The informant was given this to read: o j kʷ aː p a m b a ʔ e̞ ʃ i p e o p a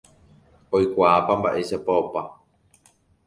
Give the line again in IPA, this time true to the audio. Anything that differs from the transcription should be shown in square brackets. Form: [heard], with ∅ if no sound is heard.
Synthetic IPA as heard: o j kʷ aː p a m b a ʔ e̞ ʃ [a] p [a] o p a